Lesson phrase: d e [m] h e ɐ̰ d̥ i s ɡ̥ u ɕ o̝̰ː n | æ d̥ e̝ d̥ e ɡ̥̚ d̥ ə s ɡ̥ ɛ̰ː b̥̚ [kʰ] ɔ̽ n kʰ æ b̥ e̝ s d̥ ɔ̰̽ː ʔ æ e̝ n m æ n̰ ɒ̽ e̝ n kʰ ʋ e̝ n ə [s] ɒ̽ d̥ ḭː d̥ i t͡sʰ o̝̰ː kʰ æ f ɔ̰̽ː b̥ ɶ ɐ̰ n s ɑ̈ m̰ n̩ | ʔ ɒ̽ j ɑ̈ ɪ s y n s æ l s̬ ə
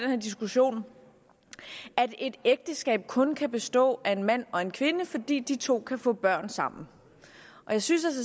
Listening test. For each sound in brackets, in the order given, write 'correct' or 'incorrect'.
incorrect: n, correct, incorrect: f

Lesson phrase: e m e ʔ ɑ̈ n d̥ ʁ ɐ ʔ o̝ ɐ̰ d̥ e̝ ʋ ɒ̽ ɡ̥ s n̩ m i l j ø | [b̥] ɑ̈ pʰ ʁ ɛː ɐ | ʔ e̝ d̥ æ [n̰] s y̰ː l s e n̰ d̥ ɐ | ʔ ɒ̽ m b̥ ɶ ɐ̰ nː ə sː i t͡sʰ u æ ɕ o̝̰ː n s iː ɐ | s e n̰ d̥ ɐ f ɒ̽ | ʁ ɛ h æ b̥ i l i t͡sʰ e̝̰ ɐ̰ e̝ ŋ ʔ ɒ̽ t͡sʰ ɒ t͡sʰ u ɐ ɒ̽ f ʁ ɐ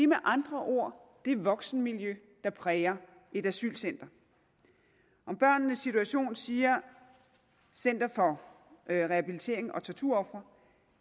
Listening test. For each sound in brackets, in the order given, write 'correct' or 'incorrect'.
incorrect: d̥, incorrect: none

